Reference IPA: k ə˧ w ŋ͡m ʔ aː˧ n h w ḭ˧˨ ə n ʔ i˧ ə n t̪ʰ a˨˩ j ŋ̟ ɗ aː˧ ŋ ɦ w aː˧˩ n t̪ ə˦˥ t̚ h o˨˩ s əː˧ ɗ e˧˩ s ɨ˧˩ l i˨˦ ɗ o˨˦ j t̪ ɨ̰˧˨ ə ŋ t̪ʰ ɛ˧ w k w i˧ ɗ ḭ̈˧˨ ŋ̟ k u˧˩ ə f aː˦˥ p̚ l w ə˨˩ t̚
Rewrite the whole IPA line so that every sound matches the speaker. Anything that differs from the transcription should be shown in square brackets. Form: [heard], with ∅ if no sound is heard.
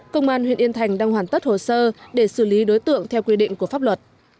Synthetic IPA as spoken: k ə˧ w ŋ͡m ʔ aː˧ n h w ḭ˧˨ ə n ʔ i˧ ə n t̪ʰ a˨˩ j ŋ̟ ɗ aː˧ ŋ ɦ w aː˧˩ n t̪ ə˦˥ t̚ h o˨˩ s əː˧ ɗ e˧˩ s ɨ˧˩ l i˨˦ ɗ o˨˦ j t̪ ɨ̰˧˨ ə ŋ t̪ʰ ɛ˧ w k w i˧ ɗ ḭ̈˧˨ ŋ̟ k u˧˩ ə f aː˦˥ p̚ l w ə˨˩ t̚